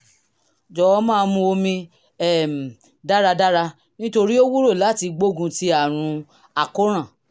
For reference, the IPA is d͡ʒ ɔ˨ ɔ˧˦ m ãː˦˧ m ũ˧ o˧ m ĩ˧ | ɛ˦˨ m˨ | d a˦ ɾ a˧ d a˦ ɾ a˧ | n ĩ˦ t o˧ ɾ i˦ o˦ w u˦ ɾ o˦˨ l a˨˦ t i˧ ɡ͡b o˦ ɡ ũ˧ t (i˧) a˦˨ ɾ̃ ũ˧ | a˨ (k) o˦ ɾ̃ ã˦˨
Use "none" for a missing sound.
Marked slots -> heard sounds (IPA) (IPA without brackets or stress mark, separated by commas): i˧, k